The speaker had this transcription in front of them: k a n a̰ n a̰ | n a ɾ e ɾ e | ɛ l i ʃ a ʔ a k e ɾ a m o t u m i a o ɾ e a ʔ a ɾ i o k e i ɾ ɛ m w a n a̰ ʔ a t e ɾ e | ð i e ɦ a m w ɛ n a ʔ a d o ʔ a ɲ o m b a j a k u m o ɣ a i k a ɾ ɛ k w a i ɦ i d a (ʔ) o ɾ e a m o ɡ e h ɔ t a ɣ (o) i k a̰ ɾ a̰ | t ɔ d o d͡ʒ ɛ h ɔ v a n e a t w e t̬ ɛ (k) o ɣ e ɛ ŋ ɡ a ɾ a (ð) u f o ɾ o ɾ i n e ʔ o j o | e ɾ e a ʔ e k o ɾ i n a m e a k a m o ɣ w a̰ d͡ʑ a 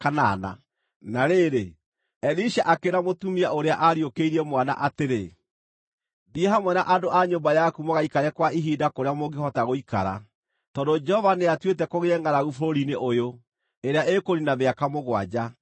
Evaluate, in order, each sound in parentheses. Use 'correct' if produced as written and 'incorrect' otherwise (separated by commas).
incorrect, correct, correct, incorrect